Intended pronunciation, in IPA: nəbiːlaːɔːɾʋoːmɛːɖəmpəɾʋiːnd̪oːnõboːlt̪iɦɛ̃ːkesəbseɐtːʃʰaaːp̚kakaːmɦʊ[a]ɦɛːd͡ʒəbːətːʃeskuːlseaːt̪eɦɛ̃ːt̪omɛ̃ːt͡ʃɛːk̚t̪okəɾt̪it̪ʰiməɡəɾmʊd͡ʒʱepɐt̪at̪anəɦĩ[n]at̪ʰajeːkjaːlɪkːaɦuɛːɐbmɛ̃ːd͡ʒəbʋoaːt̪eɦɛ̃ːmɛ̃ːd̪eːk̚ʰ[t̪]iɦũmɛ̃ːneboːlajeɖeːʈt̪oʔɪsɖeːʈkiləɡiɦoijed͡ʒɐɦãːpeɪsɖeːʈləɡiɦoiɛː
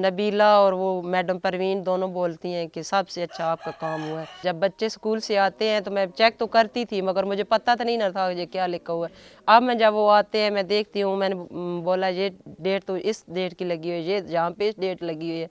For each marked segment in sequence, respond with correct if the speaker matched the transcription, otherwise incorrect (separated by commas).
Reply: correct, correct, correct